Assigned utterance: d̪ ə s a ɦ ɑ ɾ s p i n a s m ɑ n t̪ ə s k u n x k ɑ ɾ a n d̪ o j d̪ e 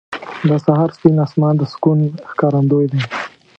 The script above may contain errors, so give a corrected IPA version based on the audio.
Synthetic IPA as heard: d̪ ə s a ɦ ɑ ɾ s p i n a s m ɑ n d̪ ə s k u n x k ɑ ɾ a n d̪ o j d̪ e